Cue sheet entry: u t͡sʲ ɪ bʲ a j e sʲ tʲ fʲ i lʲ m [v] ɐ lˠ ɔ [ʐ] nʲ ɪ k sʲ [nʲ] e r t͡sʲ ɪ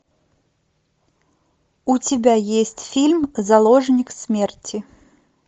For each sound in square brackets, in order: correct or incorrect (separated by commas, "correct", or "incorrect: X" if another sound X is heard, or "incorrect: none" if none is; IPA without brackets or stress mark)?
incorrect: z, correct, incorrect: mʲ